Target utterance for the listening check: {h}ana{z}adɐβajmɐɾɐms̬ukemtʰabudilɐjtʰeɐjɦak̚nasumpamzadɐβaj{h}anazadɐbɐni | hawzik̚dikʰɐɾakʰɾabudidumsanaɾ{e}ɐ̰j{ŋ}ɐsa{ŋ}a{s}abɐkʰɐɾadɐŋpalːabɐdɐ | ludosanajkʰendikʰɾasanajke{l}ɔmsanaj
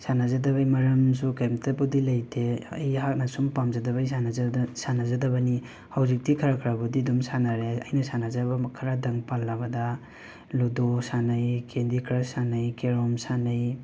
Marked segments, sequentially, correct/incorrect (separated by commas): incorrect, correct, incorrect, correct, incorrect, incorrect, incorrect, incorrect